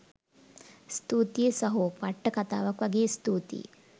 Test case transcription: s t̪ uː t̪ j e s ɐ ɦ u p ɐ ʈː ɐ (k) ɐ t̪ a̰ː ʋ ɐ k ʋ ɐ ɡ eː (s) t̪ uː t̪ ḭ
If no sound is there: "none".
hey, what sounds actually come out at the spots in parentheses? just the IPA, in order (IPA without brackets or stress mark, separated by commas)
k, s